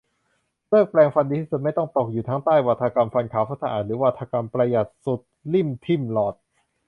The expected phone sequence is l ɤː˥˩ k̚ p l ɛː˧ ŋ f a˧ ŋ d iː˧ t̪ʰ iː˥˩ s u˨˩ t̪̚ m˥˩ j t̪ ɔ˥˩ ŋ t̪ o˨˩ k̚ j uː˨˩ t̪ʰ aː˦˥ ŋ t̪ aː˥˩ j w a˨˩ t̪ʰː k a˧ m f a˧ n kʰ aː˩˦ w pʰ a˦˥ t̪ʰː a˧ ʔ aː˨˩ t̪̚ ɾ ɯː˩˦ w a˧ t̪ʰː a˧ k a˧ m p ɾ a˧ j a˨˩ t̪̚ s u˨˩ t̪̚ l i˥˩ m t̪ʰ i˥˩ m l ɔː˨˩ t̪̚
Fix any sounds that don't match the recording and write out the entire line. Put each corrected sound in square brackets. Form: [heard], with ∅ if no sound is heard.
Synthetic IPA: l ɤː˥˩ k̚ p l ɛː˧ ŋ f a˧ [n] d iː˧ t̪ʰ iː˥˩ s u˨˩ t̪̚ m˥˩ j t̪ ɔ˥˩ ŋ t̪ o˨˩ k̚ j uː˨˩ t̪ʰ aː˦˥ ŋ t̪ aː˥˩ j w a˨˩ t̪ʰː k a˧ m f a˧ n kʰ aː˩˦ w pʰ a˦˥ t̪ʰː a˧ ʔ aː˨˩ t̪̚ ɾ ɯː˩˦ w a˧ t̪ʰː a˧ k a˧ m p ɾ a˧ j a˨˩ t̪̚ s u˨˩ t̪̚ l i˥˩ m t̪ʰ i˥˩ m l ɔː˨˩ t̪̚